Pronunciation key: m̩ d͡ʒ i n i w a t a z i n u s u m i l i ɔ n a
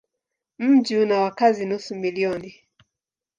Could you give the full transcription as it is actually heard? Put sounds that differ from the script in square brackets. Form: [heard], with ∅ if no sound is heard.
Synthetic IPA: m̩ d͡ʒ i n [a] w a [k] a z i n u s u m i l i ɔ n [i]